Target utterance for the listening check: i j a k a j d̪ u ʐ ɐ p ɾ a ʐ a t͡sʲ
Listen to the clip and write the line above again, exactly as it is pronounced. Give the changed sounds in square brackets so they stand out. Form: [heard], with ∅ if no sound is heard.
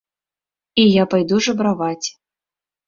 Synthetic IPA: i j a [p] a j d̪ u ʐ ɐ [b] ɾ a [v] a t͡sʲ